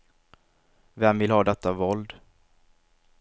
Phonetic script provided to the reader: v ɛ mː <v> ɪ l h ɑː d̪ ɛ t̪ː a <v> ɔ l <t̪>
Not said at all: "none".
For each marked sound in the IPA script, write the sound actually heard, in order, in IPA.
v, v, d̪

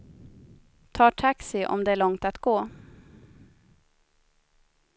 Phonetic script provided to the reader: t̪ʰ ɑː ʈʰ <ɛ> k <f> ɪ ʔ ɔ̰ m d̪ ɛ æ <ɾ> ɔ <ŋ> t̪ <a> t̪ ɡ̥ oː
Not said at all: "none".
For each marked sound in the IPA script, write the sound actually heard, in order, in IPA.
a, s, ɭ, ŋ, a

